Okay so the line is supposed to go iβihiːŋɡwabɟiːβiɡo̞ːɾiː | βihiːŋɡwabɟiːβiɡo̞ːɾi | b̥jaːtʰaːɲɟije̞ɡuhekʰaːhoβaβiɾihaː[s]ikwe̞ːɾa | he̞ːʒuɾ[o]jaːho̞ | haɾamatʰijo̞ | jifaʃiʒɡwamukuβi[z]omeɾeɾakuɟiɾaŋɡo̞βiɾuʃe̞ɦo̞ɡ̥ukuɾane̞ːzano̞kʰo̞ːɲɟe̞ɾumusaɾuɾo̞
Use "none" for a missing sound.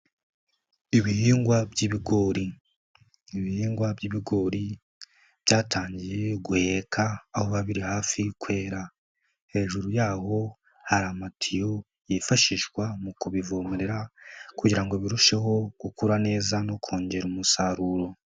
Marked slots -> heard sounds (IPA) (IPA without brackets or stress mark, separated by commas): f, u, v